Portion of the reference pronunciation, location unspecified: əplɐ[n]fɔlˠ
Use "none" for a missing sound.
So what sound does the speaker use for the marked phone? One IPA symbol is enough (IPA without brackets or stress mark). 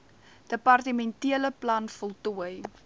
n